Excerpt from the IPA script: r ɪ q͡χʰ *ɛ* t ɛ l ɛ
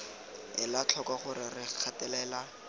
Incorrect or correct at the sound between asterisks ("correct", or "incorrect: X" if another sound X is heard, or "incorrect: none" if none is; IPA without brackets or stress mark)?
incorrect: a